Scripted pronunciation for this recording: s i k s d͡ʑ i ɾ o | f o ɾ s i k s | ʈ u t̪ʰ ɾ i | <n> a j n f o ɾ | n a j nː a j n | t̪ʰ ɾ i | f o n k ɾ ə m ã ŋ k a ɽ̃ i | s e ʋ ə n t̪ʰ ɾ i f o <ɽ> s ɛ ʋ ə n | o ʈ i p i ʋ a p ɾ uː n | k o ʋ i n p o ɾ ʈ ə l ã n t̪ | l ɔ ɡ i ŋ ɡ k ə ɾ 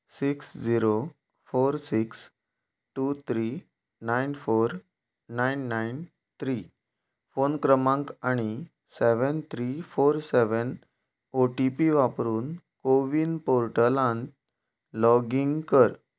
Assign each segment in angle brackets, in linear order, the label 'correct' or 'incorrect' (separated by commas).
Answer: correct, incorrect